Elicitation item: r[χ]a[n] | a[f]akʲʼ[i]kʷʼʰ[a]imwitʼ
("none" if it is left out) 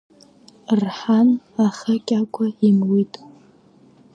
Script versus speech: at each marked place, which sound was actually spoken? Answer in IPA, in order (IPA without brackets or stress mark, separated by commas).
ħ, n, χ, a, a